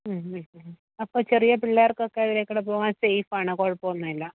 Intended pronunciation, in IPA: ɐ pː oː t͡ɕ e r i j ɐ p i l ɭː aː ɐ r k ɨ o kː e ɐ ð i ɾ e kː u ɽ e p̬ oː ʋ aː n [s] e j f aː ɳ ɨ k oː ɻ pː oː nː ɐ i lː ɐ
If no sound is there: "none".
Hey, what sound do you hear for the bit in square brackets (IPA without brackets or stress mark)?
s